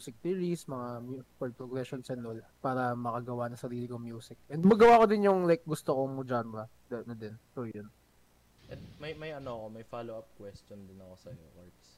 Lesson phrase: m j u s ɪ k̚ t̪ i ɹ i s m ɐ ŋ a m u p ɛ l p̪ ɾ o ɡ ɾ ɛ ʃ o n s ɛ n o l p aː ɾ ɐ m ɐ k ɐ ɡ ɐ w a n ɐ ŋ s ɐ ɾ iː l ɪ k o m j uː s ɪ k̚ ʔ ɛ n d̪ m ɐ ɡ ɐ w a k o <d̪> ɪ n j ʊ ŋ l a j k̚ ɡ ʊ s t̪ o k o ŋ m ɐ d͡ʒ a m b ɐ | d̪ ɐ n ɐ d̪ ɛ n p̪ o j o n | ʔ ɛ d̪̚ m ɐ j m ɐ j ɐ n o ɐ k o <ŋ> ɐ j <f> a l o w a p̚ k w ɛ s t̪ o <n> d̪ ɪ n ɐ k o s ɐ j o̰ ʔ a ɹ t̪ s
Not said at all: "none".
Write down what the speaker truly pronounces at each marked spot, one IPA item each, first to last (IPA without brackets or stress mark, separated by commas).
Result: d̪, m, f, n